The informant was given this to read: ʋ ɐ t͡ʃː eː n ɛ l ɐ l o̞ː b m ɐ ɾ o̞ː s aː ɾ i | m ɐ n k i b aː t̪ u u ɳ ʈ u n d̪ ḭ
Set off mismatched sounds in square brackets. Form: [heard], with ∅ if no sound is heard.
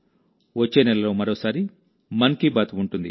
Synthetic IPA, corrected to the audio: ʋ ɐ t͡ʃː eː n ɛ l ɐ l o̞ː [∅] m ɐ ɾ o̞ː s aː ɾ i | m ɐ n k i b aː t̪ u u ɳ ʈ u n d̪ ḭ